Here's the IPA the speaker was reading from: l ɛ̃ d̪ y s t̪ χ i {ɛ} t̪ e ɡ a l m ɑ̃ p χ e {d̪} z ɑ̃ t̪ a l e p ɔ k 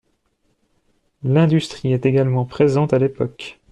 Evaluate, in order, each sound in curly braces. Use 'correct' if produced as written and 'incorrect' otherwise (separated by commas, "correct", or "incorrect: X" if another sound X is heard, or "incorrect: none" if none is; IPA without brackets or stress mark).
correct, incorrect: none